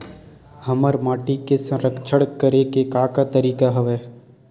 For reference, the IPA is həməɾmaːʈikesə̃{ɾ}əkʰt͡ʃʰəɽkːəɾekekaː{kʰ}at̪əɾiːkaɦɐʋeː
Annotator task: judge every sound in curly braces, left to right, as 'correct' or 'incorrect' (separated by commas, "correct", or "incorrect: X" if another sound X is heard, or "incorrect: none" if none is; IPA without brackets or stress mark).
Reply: correct, incorrect: k